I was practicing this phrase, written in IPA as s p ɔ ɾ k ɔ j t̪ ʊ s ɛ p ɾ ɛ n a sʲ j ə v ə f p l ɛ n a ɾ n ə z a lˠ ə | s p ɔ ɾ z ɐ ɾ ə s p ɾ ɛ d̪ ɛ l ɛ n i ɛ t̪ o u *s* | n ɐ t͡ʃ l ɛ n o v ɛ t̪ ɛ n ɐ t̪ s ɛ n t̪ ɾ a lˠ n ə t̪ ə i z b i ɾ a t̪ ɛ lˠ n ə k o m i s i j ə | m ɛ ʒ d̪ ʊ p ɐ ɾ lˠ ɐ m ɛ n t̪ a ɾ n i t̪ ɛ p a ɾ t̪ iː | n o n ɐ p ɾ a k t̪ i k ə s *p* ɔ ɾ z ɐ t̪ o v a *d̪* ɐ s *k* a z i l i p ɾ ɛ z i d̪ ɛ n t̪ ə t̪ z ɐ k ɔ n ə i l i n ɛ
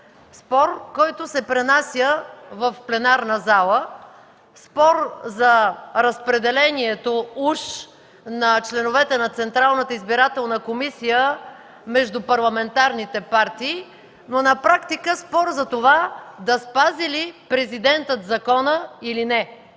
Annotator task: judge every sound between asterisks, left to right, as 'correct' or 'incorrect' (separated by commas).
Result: incorrect, correct, correct, incorrect